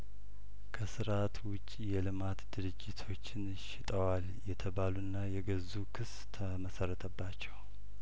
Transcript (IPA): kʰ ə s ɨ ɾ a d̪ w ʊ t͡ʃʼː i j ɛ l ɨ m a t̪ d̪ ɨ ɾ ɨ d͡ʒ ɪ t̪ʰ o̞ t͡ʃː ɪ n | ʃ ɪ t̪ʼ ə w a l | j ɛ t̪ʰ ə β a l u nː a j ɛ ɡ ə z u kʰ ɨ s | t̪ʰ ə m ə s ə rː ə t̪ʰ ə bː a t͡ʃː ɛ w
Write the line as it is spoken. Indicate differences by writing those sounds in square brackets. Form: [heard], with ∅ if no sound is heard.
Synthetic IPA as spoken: kʰ ə s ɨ ɾ a [t̪] w ʊ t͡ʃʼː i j ɛ l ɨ m a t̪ d̪ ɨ ɾ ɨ d͡ʒ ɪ t̪ʰ o̞ t͡ʃː ɪ n | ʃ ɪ t̪ʼ ə w a l | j ɛ t̪ʰ ə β a l u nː a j ɛ ɡ ə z u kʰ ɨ s | t̪ʰ ə m ə s ə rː ə t̪ʰ ə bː a t͡ʃː ɛ w